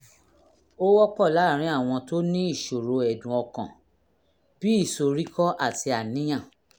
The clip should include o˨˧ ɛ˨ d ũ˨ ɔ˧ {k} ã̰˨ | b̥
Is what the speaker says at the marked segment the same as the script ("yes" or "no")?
yes